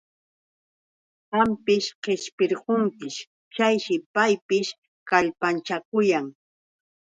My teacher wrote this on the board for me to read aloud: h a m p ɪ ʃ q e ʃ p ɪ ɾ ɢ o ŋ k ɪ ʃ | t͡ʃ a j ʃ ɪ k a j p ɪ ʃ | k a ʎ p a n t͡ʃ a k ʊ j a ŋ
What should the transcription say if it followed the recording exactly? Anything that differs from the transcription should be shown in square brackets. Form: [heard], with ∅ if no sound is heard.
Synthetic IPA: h a m p ɪ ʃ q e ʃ p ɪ ɾ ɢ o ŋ k ɪ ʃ | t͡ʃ a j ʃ ɪ [p] a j p ɪ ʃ | k a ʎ p a n t͡ʃ a k ʊ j a ŋ